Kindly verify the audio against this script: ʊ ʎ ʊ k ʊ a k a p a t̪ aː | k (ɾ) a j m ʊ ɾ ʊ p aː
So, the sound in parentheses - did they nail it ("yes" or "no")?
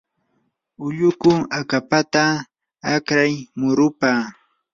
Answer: yes